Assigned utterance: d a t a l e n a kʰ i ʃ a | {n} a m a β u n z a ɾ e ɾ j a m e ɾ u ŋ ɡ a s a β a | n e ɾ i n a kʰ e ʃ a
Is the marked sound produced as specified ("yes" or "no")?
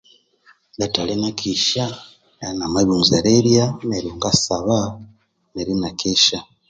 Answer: yes